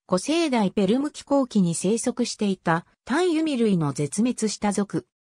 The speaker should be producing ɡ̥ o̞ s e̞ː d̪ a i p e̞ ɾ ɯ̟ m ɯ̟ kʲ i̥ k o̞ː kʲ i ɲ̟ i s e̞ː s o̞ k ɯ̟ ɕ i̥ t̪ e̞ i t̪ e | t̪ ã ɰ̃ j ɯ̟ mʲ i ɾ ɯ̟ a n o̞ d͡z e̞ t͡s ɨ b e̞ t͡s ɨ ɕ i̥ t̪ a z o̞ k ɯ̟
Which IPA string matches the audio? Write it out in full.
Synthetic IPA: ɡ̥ o̞ s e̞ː d̪ a i p e̞ ɾ ɯ̟ m ɯ̟ kʲ i̥ k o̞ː kʲ i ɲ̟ i s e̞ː s o̞ k ɯ̟ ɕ i̥ t̪ e̞ i t̪ a | t̪ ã ɰ̃ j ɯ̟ mʲ i ɾ ɯ̟ i n o̞ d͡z e̞ t͡s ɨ m e̞ t͡s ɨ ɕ i̥ t̪ a z o̞ k ɯ̟